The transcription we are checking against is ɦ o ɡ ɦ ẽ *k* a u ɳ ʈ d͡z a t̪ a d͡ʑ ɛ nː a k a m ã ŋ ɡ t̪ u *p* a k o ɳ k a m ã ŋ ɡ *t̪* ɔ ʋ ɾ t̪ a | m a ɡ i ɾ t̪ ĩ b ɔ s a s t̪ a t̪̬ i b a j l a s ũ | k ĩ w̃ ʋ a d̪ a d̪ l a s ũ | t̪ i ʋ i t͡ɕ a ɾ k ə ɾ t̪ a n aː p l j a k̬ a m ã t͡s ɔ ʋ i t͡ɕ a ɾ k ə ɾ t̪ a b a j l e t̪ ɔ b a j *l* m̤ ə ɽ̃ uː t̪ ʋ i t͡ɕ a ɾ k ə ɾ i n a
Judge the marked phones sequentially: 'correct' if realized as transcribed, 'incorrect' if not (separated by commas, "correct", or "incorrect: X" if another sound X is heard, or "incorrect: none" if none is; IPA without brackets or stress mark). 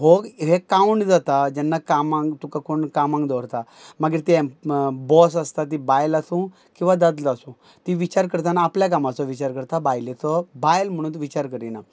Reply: correct, incorrect: k, incorrect: d̪, correct